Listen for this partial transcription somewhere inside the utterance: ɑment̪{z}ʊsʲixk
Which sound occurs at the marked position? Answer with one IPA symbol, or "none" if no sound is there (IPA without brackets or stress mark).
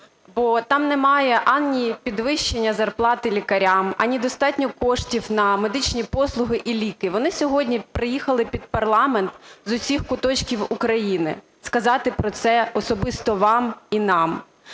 z